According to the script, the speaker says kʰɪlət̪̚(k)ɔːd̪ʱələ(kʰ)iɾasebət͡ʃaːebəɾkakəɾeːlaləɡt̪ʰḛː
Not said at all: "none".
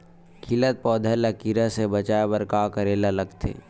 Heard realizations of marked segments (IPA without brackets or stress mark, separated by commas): p, k